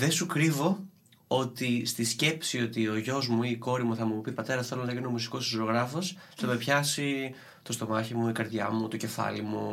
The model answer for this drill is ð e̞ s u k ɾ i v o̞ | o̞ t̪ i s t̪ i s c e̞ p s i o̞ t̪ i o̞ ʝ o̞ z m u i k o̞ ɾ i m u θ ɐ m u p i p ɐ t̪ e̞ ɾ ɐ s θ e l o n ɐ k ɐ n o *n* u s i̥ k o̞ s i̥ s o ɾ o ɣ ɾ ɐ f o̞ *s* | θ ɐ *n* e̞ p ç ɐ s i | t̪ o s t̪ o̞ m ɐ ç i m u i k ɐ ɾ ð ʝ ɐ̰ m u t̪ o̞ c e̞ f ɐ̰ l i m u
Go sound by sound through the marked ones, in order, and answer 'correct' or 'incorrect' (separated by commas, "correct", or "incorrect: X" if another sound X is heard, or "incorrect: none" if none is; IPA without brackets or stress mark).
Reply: incorrect: m, correct, incorrect: m